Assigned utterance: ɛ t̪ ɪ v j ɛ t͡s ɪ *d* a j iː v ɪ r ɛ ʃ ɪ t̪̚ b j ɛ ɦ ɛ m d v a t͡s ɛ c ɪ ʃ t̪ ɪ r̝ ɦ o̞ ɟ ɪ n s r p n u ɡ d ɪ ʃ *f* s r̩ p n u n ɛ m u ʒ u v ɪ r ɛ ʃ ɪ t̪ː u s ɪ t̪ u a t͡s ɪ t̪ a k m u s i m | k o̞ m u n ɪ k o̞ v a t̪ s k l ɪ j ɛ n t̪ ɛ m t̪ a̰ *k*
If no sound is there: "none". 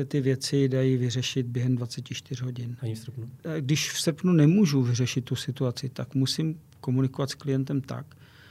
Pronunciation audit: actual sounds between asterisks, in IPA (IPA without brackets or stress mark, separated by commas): d, f, k